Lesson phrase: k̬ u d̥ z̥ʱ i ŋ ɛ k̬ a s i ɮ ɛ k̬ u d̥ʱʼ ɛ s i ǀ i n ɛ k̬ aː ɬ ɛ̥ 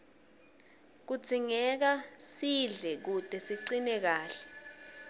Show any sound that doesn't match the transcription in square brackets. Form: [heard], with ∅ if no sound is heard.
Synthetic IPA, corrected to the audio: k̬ u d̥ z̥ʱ i ŋ ɛ k̬ a s i ɮ ɛ k̬ u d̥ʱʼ ɛ s i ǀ i n ɛ k̬ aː ɬ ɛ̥